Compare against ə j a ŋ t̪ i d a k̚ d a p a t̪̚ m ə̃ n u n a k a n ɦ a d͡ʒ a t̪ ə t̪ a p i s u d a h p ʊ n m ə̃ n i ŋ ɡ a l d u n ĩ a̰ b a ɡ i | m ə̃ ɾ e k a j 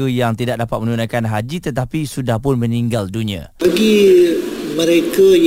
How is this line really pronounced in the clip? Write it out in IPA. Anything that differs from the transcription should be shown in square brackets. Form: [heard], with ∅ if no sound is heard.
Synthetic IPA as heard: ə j a ŋ t̪ i d a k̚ d a p a t̪̚ m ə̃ n u n a k a n ɦ a d͡ʒ [i] t̪ ə t̪ a p i s u d a h p ʊ n m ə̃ n i ŋ ɡ a l d u n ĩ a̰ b a ɡ i | m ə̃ ɾ e k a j